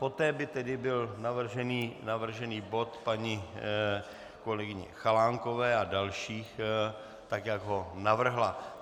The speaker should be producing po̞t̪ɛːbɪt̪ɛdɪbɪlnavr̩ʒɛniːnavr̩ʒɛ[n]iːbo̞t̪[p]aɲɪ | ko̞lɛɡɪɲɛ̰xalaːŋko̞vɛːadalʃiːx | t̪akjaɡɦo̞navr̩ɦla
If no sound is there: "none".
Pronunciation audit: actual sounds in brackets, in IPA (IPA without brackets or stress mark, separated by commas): n, p